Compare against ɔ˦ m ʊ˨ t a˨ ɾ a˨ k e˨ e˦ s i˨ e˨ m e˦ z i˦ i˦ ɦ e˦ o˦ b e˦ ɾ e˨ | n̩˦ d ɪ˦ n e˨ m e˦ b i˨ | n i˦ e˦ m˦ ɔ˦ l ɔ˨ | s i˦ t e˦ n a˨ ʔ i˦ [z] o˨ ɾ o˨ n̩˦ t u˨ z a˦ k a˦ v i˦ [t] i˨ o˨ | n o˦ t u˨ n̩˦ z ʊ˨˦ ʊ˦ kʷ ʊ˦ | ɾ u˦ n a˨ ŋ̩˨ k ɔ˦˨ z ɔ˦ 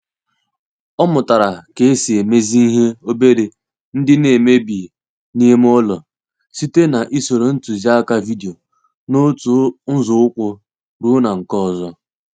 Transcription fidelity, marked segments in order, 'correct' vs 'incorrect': incorrect, incorrect

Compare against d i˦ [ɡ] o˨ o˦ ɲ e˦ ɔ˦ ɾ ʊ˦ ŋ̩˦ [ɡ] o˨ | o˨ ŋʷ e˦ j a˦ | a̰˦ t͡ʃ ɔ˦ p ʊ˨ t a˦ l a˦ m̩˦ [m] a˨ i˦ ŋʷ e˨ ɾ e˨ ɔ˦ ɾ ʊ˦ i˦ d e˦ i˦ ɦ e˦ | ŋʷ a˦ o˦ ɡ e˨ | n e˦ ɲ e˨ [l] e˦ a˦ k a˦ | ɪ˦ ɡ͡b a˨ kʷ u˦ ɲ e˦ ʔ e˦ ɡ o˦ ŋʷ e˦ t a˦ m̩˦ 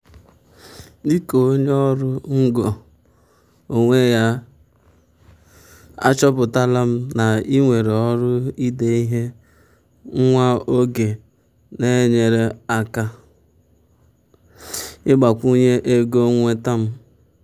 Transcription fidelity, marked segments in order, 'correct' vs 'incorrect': incorrect, correct, incorrect, incorrect

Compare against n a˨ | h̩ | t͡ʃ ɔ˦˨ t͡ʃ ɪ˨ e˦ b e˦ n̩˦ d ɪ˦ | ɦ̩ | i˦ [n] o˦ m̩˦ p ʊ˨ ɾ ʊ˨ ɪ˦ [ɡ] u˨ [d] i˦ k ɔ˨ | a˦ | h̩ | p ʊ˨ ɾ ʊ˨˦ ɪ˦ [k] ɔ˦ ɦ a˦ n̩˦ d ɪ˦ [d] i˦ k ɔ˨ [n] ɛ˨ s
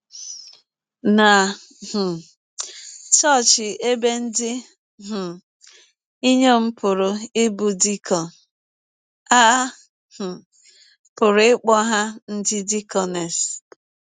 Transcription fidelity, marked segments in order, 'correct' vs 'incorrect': incorrect, incorrect, correct, incorrect, correct, correct

